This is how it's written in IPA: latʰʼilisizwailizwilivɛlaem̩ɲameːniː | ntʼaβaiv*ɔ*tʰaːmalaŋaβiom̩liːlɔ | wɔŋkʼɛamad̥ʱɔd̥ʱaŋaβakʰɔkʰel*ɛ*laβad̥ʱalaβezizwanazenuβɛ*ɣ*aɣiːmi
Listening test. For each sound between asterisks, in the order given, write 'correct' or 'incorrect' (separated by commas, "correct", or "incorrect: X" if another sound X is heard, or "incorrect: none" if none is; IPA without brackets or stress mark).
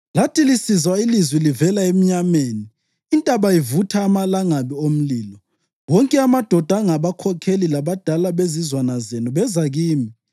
incorrect: u, incorrect: i, incorrect: z